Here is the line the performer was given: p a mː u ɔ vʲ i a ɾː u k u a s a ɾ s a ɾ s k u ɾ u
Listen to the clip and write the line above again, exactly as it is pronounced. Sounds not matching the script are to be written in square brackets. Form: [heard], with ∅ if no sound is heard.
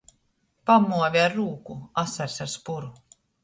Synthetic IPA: p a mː u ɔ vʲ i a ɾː [uː] k u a s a ɾ s a ɾ s [p] u ɾ u